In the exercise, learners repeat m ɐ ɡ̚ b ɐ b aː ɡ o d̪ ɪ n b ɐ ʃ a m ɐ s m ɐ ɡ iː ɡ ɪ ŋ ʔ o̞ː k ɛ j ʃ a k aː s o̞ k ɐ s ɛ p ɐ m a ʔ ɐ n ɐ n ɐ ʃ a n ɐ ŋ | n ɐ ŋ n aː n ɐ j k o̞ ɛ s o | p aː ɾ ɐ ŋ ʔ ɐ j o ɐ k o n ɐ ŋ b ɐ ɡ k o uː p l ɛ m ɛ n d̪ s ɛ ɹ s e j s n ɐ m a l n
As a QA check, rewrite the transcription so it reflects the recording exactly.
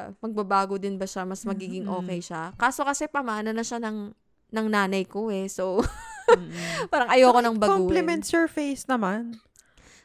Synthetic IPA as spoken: m ɐ ɡ̚ b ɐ b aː ɡ o d̪ ɪ n b ɐ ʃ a m ɐ s m ɐ ɡ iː ɡ ɪ ŋ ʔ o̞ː k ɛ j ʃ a k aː s o̞ k ɐ s ɛ p ɐ m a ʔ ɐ n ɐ n ɐ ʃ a n ɐ ŋ | n ɐ ŋ n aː n ɐ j k o̞ ɛ s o | p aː ɾ ɐ ŋ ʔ ɐ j o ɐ k o n ɐ ŋ b ɐ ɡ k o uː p l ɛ m ɛ n t̪ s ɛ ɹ f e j s n ɐ m a n